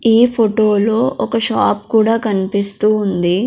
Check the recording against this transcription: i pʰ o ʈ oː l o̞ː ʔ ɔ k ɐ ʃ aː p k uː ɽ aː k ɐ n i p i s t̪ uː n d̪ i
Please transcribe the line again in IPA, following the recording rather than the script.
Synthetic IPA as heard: iː pʰ o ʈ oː l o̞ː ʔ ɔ k ɐ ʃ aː p k uː ɽ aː k ɐ n i p i s t̪ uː n d̪ i